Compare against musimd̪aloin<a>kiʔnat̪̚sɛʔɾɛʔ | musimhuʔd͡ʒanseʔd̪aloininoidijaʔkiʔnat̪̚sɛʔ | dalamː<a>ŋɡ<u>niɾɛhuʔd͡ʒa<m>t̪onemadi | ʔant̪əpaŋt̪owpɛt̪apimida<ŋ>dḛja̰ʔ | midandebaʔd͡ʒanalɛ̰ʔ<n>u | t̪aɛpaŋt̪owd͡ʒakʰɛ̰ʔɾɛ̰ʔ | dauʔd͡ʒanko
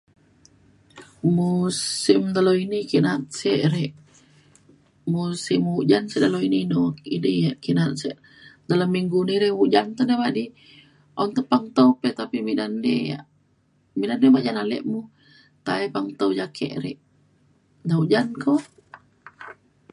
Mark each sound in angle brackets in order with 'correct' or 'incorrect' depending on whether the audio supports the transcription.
incorrect, incorrect, correct, incorrect, incorrect, incorrect

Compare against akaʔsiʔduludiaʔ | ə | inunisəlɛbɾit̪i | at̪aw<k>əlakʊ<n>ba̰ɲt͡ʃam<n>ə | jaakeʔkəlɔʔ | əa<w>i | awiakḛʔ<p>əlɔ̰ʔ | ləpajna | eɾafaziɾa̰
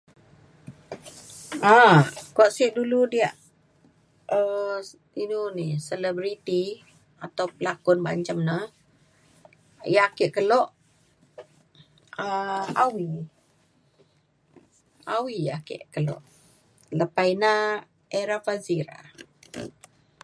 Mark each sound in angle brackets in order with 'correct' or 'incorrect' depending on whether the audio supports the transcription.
incorrect, correct, correct, correct, incorrect

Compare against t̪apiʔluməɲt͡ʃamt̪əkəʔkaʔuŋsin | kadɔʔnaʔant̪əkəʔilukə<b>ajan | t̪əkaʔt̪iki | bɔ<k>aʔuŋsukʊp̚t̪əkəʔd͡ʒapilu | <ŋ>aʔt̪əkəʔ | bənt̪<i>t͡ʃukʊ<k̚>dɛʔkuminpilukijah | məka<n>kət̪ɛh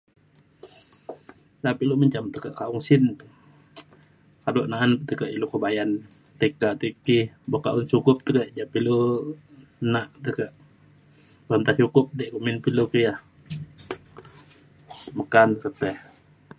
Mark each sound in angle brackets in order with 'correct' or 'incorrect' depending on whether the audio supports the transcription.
correct, correct, incorrect, incorrect, incorrect, correct

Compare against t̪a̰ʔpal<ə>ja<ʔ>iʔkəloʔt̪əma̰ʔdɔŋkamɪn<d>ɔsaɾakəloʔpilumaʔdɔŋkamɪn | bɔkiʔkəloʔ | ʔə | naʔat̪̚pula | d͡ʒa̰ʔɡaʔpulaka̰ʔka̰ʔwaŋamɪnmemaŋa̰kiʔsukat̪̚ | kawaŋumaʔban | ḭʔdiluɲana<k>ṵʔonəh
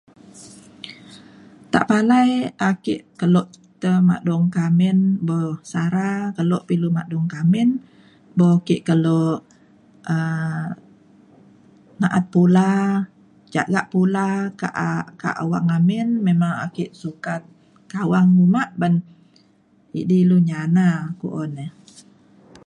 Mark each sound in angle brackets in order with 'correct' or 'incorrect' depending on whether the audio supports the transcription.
incorrect, incorrect, incorrect, correct

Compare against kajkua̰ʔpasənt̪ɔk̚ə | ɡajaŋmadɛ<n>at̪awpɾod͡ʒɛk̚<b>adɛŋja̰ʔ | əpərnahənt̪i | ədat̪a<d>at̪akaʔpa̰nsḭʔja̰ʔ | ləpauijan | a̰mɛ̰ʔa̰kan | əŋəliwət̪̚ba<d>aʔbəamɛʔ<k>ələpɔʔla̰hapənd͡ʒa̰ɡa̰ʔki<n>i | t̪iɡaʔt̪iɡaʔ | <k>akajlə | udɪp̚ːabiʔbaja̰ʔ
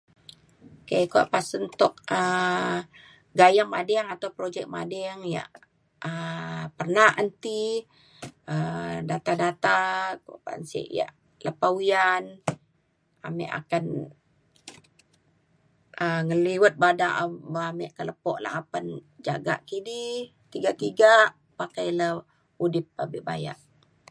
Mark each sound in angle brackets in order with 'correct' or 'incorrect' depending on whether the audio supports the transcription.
incorrect, incorrect, correct, correct, correct, incorrect, incorrect

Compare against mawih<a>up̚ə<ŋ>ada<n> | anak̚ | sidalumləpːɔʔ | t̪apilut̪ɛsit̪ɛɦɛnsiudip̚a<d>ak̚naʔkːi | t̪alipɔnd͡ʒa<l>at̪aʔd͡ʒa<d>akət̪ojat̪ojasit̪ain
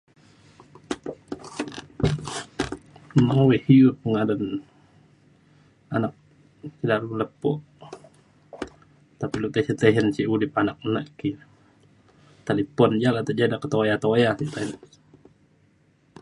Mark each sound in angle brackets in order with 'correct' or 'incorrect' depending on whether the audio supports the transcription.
incorrect, correct, correct, incorrect, correct, correct

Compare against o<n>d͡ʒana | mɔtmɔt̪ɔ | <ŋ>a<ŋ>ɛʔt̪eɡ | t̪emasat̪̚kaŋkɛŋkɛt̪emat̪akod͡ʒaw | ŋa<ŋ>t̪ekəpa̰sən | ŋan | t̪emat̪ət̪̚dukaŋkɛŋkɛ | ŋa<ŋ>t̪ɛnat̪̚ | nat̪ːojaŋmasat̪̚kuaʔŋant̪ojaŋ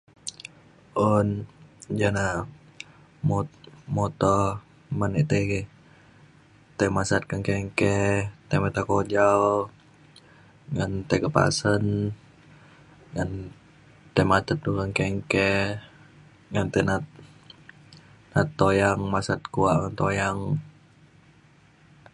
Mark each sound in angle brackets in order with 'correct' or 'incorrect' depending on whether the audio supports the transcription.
correct, incorrect, incorrect, incorrect, incorrect

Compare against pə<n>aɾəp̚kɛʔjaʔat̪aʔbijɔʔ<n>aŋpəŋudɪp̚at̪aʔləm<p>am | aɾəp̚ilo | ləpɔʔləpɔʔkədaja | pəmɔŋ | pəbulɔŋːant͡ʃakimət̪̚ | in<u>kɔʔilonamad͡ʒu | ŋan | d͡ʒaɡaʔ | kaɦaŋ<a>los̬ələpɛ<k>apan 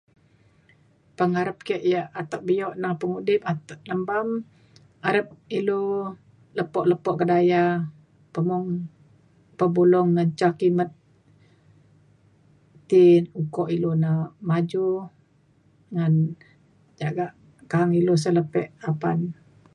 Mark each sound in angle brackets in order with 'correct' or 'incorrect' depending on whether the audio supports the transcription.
incorrect, correct, incorrect, correct, incorrect, incorrect

